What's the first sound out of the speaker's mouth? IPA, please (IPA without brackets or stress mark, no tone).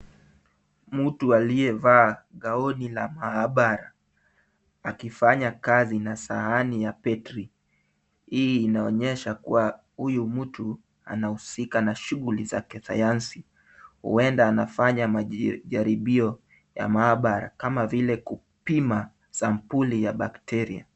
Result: m̩